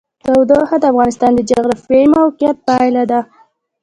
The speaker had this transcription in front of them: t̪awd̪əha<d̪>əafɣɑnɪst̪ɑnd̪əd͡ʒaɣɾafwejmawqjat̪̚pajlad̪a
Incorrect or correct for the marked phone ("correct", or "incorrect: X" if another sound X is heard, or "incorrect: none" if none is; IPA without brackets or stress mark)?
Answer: correct